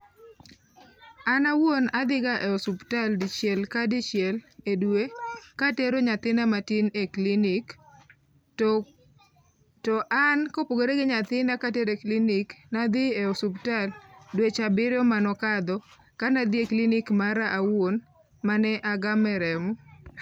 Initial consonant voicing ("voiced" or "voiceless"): voiced